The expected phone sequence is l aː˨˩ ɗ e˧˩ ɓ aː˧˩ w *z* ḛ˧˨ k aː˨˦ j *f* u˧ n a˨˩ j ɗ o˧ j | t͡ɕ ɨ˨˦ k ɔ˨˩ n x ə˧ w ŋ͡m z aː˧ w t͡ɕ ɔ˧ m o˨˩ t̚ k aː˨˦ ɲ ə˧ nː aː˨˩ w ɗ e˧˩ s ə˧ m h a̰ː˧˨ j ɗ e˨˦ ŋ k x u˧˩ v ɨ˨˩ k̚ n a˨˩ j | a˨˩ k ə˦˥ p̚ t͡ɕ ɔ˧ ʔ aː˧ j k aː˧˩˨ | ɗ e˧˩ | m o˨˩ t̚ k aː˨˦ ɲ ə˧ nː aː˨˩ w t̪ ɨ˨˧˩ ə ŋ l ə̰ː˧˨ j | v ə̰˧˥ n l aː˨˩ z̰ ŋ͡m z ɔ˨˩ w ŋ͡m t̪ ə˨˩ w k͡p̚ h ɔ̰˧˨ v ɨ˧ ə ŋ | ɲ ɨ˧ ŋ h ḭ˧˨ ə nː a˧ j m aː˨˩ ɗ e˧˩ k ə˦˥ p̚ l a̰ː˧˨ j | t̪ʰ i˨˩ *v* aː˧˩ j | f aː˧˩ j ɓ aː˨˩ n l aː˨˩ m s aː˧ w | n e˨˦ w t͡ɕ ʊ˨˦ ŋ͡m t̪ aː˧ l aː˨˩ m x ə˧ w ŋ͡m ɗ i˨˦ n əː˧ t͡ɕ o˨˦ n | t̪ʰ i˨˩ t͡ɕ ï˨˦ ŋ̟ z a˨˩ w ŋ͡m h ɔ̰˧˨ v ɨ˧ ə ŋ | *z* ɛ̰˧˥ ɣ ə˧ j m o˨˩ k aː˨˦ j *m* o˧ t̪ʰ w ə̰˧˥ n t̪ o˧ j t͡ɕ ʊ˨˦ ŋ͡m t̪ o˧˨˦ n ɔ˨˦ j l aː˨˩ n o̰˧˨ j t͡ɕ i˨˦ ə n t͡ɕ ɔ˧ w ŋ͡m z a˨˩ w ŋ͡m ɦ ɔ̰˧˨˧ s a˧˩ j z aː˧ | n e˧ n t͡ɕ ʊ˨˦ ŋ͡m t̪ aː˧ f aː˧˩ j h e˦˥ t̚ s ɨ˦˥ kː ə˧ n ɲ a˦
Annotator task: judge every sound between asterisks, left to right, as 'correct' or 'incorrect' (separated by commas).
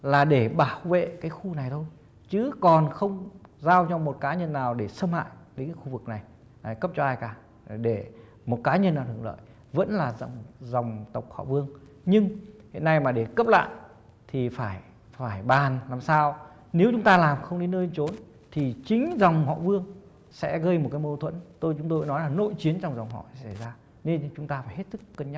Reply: incorrect, incorrect, incorrect, incorrect, correct